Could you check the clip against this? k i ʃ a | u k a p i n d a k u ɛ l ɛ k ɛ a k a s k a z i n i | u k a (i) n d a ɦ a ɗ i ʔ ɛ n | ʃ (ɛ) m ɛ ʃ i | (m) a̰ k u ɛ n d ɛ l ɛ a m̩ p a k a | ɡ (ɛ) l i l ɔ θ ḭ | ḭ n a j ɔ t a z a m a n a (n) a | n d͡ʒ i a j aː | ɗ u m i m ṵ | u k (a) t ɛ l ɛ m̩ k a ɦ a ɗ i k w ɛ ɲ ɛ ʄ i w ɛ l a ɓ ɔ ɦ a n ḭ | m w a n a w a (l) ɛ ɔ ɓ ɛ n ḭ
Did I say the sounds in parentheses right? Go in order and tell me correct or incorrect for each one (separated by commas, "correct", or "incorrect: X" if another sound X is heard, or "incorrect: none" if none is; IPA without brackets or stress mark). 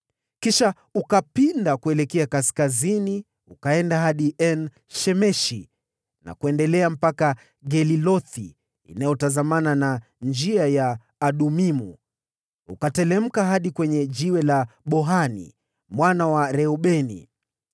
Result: incorrect: ɛ, correct, incorrect: n, correct, correct, correct, incorrect: ɾ